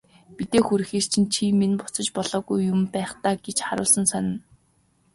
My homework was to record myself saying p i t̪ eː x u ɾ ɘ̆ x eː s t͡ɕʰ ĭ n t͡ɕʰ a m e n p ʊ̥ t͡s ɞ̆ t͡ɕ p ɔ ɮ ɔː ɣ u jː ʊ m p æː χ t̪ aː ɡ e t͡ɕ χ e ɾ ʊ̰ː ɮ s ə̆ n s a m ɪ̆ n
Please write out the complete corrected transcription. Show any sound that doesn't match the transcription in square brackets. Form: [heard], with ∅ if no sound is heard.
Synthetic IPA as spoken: p i t̪ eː x u ɾ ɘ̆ x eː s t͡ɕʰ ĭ n t͡ɕʰ [i] m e n p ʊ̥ t͡s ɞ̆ t͡ɕ p ɔ ɮ ɔː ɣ u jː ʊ m p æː χ t̪ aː ɡ e t͡ɕ χ [a] ɾ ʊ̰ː ɮ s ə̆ n s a [n] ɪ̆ n